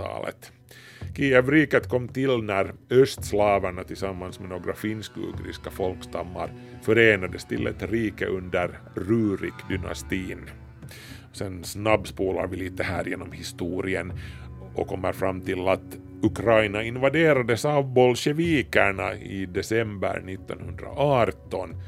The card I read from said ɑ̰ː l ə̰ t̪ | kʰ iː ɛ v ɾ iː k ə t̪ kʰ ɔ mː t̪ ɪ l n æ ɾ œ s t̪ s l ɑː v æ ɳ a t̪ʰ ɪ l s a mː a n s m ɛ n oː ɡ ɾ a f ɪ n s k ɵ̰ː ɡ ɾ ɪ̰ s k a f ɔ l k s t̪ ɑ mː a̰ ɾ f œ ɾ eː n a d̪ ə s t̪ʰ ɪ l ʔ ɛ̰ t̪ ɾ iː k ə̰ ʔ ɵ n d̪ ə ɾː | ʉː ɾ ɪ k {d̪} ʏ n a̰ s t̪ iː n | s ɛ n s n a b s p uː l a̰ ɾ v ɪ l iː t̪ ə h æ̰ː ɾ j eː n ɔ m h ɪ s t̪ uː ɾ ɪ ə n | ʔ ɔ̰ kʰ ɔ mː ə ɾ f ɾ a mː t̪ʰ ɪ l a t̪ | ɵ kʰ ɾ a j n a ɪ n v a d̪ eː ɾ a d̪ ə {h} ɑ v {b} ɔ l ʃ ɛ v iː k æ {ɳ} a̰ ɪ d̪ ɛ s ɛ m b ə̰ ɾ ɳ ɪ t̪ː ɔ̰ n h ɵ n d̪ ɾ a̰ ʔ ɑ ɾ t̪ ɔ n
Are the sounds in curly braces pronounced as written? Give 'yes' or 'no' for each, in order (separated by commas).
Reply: yes, no, yes, yes